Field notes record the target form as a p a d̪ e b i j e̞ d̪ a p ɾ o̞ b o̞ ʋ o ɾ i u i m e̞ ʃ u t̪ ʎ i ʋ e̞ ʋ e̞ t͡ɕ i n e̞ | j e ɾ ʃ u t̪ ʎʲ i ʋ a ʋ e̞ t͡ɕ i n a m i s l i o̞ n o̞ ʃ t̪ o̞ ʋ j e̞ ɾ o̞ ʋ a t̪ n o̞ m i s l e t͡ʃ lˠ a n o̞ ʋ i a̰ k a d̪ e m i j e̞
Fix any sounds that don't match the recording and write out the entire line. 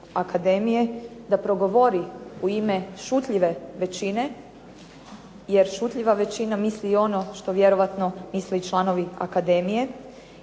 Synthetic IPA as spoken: a k a d̪ e m i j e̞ d̪ a p ɾ o̞ ɡ o̞ ʋ o ɾ i u i m e̞ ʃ u t̪ ʎ i ʋ e̞ ʋ e̞ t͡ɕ i n e̞ | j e ɾ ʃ u t̪ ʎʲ i ʋ a ʋ e̞ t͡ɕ i n a m i s l i o̞ n o̞ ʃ t̪ o̞ ʋ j e̞ ɾ o̞ ʋ a t̪ n o̞ m i s l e t͡ʃ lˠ a n o̞ ʋ i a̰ k a d̪ e m i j e̞

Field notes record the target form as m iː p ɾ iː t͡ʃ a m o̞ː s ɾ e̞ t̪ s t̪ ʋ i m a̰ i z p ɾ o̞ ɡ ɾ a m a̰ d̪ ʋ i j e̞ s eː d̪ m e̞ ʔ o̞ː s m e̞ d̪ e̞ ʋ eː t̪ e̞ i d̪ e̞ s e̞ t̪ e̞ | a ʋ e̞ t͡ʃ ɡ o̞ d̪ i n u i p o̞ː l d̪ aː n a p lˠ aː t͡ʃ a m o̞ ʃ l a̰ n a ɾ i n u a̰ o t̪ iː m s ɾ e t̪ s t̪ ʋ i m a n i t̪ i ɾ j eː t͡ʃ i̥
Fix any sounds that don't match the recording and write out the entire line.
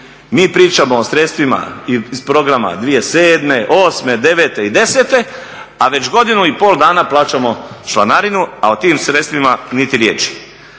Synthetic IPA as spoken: m iː p ɾ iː t͡ʃ a m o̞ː s ɾ e̞ t̪ s t̪ ʋ i m a̰ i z p ɾ o̞ ɡ ɾ a m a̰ d̪ ʋ i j e̞ s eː d̪ m e̞ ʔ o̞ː s m e̞ d̪ e̞ ʋ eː t̪ e̞ i d̪ e̞ s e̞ t̪ e̞ | a ʋ e̞ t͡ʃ ɡ o̞ d̪ i n u i p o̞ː l d̪ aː n a p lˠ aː t͡ʃ a m o̞ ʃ l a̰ n a ɾ i n u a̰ o t̪ iː m s ɾ e t̪ s t̪ ʋ i m a n i t̪ i ɾ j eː t͡ʃ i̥

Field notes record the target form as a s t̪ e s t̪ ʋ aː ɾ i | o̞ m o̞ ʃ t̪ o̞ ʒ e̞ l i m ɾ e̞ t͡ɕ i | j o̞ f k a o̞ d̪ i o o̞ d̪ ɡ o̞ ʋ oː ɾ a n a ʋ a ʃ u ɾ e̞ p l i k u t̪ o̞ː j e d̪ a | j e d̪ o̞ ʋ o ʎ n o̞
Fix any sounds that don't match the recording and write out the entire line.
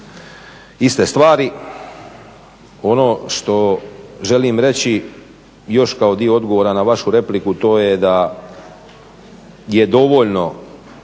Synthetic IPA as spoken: i s t̪ e s t̪ ʋ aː ɾ i | o̞ n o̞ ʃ t̪ o̞ ʒ e̞ l i m ɾ e̞ t͡ɕ i | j o̞ ʃ k a o̞ d̪ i o o̞ d̪ ɡ o̞ ʋ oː ɾ a n a ʋ a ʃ u ɾ e̞ p l i k u t̪ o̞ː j e d̪ a | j e d̪ o̞ ʋ o ʎ n o̞

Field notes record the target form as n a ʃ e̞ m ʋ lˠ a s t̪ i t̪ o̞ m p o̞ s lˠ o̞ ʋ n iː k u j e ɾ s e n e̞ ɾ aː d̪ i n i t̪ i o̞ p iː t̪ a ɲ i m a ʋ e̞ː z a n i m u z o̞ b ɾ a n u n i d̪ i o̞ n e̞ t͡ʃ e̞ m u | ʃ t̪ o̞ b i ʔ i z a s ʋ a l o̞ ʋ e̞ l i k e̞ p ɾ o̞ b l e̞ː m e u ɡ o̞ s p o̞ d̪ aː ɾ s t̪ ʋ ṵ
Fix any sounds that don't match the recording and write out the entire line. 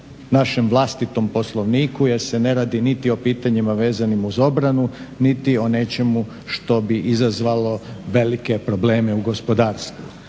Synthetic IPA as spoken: n a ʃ e̞ m ʋ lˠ a s t̪ i t̪ o̞ m p o̞ s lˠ o̞ ʋ n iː k u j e ɾ s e n e̞ ɾ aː d̪ i n i t̪ i o̞ p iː t̪ a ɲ i m a ʋ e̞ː z a n i m u z o̞ b ɾ a n u n i t̪ i o̞ n e̞ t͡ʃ e̞ m u | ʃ t̪ o̞ b i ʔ i z a z ʋ a l o̞ ʋ e̞ l i k e̞ p ɾ o̞ b l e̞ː m e u ɡ o̞ s p o̞ d̪ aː ɾ s t̪ ʋ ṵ

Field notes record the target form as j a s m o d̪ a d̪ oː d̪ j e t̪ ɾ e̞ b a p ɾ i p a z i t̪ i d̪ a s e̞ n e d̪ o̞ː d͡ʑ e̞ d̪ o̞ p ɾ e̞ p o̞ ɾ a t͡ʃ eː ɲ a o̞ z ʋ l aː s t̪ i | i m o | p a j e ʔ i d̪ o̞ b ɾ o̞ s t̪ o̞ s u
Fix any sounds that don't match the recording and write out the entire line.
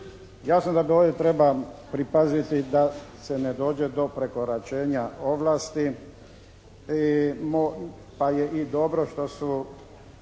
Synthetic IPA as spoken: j a s n o d̪ a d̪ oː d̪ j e t̪ ɾ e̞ b a p ɾ i p a z i t̪ i d̪ a s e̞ n e d̪ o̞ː d͡ʑ e̞ d̪ o̞ p ɾ e̞ k o̞ ɾ a t͡ʃ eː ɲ a o̞ ʋ l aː s t̪ i | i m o | p a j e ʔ i d̪ o̞ b ɾ o̞ ʃ t̪ o̞ s u

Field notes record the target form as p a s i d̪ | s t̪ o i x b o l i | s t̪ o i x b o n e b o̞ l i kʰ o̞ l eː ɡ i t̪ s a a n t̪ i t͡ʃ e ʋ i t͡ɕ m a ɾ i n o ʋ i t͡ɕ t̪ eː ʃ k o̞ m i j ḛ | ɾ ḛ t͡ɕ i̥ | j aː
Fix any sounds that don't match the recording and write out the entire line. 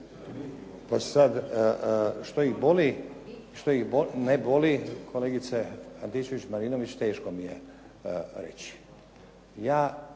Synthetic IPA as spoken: p a s a d̪ | ʃ t̪ o i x b o l i | ʃ t̪ o i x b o n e b o̞ l i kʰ o̞ l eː ɡ i t̪ s e a n t̪ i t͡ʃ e ʋ i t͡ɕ m a ɾ i n o ʋ i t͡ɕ t̪ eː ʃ k o̞ m i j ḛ | ɾ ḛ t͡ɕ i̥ | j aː

